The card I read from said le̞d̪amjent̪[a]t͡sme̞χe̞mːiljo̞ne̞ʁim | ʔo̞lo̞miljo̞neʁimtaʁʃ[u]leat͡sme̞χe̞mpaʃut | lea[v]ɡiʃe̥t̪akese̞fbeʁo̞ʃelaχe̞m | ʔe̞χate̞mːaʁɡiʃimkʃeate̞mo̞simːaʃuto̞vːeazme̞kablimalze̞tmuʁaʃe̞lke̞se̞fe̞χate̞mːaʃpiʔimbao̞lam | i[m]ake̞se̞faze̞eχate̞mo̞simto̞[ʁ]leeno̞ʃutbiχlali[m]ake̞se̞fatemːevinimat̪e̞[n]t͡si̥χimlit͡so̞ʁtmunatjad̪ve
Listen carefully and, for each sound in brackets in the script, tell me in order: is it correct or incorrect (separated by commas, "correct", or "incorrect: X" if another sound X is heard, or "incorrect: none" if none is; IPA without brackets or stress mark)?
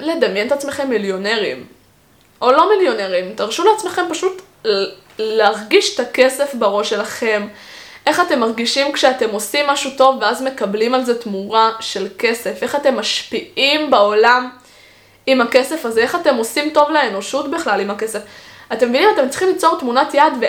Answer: correct, correct, incorrect: ʁ, correct, incorrect: v, correct, incorrect: m